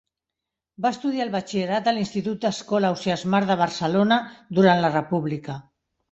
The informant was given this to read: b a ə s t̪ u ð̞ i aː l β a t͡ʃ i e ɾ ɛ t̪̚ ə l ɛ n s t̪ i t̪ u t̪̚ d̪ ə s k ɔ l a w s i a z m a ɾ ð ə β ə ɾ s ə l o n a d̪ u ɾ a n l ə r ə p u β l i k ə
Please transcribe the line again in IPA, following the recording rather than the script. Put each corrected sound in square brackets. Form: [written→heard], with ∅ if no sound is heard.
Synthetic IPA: b a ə s t̪ u ð̞ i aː l β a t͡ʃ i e ɾ [ɛ→a] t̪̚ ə l [ɛ→i] n s t̪ i t̪ u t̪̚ d̪ ə s k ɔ l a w s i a z m a ɾ ð ə β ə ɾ s ə l o n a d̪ u ɾ a n l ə r ə p u β l i k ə